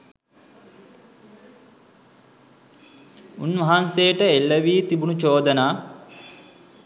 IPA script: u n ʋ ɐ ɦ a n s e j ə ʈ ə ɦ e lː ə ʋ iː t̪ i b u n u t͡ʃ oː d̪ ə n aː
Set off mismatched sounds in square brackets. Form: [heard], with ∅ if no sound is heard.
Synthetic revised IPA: u n ʋ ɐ ɦ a n s e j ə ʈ ə [∅] e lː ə ʋ iː t̪ i b u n u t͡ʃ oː d̪ ə n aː